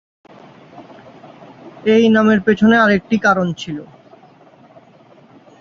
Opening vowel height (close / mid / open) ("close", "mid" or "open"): mid